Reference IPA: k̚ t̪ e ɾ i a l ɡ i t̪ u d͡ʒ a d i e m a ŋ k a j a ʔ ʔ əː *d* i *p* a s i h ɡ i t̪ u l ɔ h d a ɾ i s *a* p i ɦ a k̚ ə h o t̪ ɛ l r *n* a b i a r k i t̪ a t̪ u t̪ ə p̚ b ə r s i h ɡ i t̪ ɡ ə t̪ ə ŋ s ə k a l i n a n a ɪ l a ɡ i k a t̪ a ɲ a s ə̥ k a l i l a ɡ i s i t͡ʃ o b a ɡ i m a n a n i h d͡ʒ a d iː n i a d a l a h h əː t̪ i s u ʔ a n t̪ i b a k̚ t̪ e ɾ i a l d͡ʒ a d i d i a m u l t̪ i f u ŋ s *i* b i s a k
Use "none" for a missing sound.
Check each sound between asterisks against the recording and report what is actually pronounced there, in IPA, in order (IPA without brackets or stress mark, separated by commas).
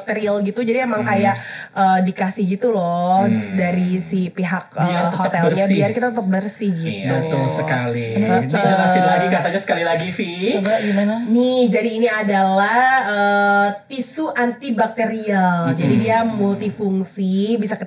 d, k, i, ɲ, i